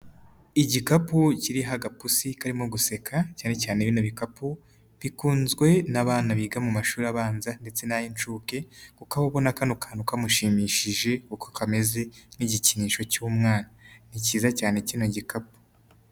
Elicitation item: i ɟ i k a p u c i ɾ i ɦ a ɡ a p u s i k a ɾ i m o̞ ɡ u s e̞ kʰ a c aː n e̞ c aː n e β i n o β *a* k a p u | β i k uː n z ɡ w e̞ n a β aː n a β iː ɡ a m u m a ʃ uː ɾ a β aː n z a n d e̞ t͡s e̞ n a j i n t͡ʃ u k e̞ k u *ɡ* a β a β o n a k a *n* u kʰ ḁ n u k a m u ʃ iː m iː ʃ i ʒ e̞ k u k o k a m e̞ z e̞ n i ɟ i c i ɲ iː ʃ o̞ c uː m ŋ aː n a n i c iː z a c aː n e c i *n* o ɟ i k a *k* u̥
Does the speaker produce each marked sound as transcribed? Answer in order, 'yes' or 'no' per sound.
no, no, yes, yes, no

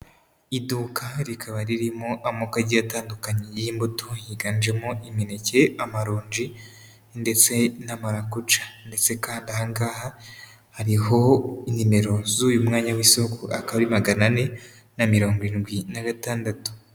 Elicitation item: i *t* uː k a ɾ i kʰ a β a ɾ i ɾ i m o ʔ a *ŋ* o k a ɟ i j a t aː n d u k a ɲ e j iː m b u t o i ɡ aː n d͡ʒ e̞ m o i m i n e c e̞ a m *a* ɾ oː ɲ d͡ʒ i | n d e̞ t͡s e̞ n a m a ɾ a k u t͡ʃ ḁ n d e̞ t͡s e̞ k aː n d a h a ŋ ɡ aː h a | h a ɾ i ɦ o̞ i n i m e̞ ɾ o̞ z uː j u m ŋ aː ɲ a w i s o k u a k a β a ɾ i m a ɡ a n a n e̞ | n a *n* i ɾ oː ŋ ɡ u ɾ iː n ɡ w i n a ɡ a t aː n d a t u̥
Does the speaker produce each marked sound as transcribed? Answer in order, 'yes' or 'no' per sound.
no, no, yes, no

